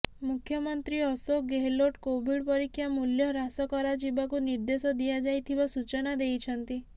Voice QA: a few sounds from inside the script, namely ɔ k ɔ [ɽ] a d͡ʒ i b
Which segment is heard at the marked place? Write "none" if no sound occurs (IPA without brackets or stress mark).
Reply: ɾ